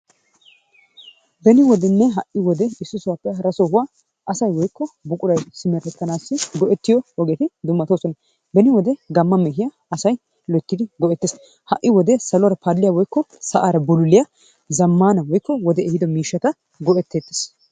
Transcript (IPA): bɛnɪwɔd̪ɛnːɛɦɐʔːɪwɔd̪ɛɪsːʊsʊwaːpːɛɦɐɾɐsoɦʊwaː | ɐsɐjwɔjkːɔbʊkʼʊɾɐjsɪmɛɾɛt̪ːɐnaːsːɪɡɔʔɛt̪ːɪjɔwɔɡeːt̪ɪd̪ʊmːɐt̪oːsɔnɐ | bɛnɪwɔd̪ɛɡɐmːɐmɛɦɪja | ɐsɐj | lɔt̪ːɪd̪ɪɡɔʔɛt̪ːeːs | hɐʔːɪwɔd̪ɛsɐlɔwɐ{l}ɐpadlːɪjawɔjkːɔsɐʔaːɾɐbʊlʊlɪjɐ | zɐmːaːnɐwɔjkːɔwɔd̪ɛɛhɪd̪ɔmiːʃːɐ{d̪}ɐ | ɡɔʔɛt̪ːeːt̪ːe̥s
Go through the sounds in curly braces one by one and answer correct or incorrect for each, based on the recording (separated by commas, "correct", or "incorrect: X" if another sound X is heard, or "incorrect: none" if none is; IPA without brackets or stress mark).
incorrect: ɾ, incorrect: t̪